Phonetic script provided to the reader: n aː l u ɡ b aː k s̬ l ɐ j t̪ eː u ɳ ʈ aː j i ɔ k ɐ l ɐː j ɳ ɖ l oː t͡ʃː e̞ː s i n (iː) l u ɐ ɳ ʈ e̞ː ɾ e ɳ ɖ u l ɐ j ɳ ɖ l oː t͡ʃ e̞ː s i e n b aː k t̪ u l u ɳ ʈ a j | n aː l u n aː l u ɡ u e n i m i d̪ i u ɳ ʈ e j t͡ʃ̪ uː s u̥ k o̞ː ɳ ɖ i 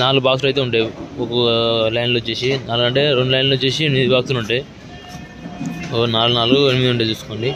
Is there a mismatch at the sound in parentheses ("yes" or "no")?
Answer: yes